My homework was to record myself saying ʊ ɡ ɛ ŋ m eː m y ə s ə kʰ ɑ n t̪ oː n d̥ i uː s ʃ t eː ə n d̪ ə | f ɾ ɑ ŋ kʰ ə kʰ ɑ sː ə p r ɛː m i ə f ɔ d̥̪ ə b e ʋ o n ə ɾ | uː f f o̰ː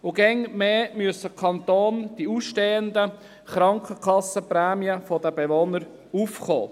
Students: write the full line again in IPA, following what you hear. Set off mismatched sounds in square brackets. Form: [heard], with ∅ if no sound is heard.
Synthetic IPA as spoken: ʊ ɡ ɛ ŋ m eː m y ə s ə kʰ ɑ n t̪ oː n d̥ i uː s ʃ t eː ə n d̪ ə | [χ] ɾ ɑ ŋ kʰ ə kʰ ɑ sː ə p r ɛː m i ə f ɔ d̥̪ ə b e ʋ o n ə ɾ | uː f [χ] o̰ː